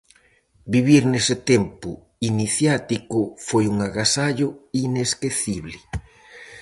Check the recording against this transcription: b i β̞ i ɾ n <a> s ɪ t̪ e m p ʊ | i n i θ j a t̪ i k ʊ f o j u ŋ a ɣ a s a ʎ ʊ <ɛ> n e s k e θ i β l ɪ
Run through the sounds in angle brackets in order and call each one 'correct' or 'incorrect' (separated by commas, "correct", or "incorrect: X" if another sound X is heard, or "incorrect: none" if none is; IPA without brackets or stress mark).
incorrect: e, incorrect: i